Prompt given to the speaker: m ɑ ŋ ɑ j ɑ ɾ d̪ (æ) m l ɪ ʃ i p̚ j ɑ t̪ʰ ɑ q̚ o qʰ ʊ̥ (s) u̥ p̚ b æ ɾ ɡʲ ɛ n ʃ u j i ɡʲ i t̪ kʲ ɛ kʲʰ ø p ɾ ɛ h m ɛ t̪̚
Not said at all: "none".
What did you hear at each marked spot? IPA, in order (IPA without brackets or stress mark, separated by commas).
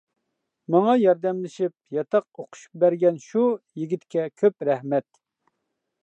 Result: ɛ, ʃ